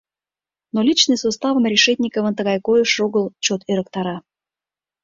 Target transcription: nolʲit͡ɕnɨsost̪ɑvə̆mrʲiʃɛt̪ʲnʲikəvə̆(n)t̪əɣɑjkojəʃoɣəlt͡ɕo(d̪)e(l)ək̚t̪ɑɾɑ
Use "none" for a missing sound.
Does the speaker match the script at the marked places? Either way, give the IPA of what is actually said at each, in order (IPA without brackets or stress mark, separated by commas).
n, t̪, ɾ